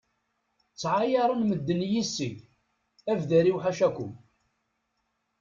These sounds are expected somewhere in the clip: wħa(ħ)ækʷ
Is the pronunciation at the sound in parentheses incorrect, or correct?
incorrect